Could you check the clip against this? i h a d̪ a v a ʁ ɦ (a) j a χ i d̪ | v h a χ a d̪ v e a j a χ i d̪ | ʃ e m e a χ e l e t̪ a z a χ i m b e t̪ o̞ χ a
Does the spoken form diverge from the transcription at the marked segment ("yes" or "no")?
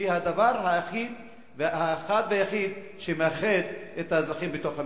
no